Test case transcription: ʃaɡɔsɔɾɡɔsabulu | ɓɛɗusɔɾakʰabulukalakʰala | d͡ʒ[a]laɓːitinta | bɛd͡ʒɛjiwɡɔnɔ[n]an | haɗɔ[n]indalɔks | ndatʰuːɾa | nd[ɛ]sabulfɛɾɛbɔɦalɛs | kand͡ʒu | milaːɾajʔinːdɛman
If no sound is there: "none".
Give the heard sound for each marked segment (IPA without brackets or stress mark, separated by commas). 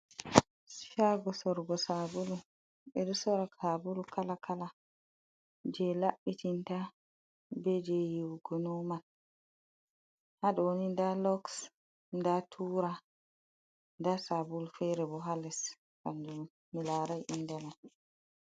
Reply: ɛ, m, n, a